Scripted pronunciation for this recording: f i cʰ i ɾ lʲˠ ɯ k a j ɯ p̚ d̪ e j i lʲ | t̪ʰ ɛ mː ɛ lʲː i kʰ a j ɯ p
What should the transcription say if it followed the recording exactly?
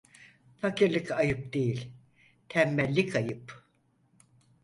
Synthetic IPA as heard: f a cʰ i ɾ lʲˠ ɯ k a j ɯ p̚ d̪ e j i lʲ | t̪ʰ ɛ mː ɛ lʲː i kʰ a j ɯ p